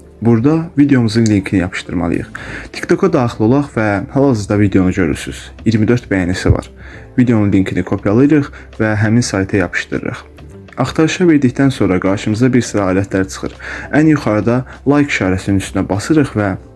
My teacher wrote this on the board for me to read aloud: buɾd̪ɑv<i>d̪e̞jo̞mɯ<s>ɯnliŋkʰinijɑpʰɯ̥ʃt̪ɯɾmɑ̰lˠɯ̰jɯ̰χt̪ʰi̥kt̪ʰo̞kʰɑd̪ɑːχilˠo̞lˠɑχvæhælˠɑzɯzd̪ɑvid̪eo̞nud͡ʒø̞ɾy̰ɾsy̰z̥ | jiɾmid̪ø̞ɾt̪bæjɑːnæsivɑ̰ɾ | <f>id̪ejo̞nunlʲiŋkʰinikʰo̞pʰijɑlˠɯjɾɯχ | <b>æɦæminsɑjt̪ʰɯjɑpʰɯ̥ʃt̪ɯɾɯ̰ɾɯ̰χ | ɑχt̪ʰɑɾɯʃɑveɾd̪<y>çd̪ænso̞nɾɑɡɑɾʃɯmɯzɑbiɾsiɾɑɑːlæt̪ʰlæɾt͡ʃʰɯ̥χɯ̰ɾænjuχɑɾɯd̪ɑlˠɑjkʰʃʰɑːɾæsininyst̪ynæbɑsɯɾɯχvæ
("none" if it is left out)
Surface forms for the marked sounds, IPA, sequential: i, z, v, v, i

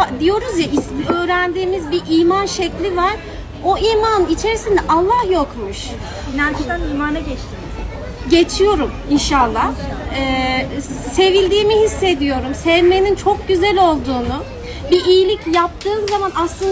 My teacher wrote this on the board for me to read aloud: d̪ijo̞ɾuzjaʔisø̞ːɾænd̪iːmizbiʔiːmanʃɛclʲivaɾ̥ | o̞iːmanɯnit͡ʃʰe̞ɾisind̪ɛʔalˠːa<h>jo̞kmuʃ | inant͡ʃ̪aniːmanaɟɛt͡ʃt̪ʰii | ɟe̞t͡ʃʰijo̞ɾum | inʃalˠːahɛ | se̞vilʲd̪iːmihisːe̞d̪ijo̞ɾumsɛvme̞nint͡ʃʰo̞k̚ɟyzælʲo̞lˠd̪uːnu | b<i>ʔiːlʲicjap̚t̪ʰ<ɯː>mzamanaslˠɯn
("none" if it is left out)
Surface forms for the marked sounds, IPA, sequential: h, i, ɯː

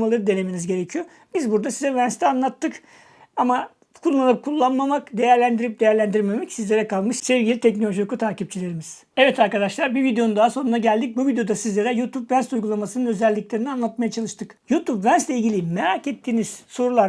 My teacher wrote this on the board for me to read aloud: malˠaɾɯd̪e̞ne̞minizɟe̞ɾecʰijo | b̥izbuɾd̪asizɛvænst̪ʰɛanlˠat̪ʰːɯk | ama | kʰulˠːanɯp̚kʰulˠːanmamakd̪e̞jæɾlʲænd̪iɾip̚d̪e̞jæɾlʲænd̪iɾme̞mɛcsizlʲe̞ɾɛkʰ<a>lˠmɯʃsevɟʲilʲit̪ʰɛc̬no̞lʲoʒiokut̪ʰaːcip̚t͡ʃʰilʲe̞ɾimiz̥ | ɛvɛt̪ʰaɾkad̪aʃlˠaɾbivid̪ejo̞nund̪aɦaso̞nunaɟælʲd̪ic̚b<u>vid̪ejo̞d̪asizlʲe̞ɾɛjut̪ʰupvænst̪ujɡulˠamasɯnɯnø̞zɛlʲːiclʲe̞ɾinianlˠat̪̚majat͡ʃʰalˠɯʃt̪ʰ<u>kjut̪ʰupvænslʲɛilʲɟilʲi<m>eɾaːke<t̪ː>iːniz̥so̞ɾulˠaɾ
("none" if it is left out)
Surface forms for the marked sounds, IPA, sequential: a, u, ɯ, m, t̪ː

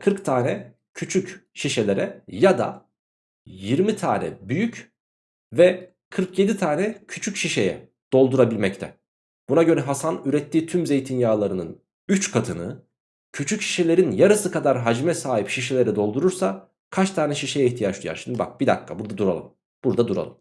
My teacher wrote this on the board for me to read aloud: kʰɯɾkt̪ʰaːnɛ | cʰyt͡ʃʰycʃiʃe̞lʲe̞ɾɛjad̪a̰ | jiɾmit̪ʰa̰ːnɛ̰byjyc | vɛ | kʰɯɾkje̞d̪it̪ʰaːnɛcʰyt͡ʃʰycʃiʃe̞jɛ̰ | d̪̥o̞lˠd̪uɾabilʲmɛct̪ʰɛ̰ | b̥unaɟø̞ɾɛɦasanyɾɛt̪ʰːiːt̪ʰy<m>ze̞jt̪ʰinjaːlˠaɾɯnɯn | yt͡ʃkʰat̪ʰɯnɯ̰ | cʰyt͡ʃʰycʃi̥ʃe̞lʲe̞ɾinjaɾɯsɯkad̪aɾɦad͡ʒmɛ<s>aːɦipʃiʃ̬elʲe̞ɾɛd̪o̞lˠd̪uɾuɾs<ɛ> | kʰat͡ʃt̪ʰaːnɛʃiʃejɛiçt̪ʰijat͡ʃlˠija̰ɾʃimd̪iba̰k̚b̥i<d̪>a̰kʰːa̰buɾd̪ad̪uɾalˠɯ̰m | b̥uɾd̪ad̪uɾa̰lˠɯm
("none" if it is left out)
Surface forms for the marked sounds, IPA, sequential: m, s, a, d̪

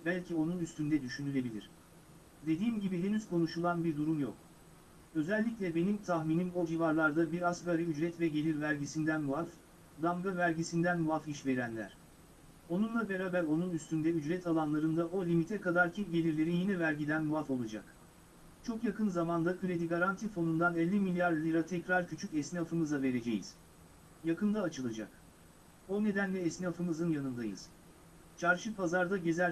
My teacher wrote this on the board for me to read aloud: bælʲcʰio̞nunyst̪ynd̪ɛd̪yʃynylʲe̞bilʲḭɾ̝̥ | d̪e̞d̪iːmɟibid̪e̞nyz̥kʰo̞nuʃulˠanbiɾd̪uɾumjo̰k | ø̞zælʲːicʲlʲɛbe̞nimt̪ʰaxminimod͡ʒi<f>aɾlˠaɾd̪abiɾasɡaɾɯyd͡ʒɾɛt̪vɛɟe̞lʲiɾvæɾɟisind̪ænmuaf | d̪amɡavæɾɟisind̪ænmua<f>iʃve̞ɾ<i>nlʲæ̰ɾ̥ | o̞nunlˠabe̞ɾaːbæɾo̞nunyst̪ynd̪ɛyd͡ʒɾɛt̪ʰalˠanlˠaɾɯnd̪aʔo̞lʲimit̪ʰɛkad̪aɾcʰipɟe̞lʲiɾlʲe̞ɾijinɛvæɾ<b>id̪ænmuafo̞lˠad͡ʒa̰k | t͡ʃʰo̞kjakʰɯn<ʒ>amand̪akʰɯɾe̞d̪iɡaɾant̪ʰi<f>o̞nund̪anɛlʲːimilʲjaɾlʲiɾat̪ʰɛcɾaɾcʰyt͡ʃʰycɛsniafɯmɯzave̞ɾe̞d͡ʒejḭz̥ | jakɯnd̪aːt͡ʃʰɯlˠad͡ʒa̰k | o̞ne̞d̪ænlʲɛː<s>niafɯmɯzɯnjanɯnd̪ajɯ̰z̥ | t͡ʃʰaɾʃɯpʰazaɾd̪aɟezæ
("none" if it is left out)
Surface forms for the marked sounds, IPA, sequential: v, f, æ, ɟ, z, f, s

